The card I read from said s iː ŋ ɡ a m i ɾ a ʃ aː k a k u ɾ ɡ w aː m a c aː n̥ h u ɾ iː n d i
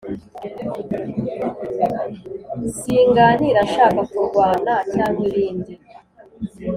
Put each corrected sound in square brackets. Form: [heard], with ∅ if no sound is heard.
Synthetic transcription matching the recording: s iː ŋ ɡ a [n] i ɾ a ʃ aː k a k u ɾ ɡ w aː [n] a c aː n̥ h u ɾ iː n d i